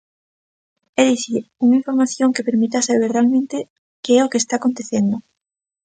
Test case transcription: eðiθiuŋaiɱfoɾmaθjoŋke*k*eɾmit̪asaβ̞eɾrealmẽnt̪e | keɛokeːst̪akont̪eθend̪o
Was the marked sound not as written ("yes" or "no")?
yes